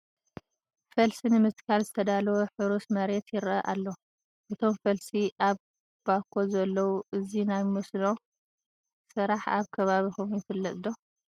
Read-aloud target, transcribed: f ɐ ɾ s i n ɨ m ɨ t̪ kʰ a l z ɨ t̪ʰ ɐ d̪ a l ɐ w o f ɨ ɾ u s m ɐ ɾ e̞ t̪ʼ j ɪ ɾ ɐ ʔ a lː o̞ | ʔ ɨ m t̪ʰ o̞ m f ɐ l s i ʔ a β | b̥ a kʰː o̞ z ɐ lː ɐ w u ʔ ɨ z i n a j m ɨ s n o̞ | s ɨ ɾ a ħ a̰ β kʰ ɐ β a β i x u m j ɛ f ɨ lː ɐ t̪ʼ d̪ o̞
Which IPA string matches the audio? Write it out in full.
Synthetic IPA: f ɐ l s i n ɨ m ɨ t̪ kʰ a l z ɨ t̪ʰ ɐ d̪ a l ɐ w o ħ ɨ ɾ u s m ɐ ɾ e̞ t̪ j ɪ ɾ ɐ ʔ a lː o̞ | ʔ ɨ t̪ʰ o̞ m f ɐ l s i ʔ a β | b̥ a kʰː o̞ z ɐ lː ɐ w u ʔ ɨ z i n a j m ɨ s n o̞ | s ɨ ɾ a ħ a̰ β kʰ ɐ β a β i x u m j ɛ f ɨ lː ɐ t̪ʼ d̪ o̞